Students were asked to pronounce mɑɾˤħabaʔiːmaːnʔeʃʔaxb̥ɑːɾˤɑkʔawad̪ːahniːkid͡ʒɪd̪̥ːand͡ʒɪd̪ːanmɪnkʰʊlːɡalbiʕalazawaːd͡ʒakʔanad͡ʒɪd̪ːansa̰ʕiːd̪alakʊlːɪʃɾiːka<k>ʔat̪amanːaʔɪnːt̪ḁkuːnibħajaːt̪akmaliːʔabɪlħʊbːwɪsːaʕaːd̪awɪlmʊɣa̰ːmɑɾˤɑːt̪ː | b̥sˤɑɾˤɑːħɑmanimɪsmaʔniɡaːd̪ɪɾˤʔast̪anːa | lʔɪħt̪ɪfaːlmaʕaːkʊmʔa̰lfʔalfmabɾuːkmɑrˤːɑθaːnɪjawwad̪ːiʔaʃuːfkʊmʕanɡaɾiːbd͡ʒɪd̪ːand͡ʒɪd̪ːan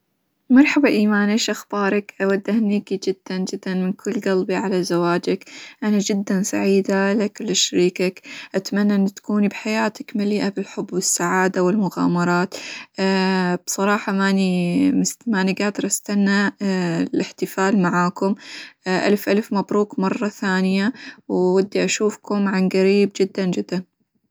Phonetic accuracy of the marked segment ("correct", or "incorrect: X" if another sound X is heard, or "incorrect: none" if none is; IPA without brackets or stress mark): correct